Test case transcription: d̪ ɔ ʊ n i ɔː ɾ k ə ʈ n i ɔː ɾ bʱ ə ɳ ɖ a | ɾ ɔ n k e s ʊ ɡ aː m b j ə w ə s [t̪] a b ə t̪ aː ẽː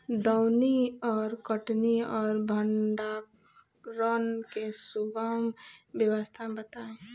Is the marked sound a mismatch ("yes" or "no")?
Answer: yes